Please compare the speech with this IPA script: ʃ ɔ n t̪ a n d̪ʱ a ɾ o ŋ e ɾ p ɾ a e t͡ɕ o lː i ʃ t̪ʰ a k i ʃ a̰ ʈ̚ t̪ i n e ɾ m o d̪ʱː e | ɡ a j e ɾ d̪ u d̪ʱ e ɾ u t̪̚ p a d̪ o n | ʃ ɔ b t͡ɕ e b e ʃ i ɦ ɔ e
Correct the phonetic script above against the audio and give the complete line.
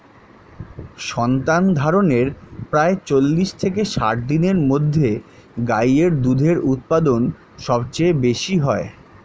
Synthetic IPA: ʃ ɔ n t̪ a n d̪ʱ a ɾ o n e ɾ p ɾ a e t͡ɕ o lː i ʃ t̪ʰ e k e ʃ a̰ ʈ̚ d̪ i n e ɾ m o d̪ʱː e | ɡ a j e ɾ d̪ u d̪ʱ e ɾ u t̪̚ p a d̪ o n | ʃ ɔ b t͡ɕ e b e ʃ i ɦ ɔ e